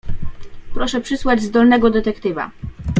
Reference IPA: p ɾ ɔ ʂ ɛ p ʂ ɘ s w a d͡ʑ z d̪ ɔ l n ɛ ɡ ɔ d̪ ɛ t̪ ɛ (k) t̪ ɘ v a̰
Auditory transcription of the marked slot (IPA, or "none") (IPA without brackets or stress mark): k